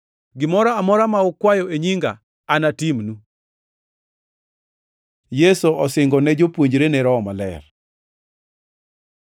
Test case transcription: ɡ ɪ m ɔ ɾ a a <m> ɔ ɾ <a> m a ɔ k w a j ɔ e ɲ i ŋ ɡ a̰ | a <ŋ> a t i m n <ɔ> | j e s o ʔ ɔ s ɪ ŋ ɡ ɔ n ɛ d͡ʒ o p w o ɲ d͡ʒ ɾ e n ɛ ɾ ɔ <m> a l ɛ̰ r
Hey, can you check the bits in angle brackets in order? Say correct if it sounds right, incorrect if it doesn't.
correct, correct, incorrect, incorrect, correct

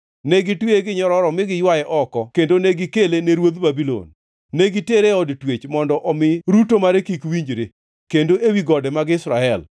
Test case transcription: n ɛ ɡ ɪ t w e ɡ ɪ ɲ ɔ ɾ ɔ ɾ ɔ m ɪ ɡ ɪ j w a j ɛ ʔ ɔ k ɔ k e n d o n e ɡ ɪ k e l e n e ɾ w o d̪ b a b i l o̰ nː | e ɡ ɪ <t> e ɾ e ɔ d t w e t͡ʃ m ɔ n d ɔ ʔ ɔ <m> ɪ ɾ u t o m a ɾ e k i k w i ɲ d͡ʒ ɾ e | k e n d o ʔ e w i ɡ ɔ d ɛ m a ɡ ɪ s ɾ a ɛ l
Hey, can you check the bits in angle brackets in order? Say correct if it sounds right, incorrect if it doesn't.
correct, correct

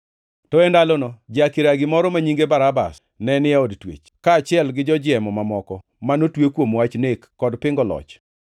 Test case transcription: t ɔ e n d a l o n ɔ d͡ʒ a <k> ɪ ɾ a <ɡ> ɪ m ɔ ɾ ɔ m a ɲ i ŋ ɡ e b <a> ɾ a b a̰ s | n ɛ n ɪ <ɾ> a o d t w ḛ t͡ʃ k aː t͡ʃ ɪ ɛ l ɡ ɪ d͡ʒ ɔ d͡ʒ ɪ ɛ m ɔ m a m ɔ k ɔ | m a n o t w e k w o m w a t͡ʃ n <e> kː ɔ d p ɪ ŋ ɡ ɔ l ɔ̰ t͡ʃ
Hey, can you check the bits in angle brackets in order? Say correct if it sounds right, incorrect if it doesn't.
correct, correct, correct, incorrect, correct

